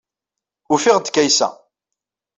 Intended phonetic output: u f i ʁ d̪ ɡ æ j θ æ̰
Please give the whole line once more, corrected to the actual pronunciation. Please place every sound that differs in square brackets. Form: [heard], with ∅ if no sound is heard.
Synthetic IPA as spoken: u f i ʁ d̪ [k] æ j [s] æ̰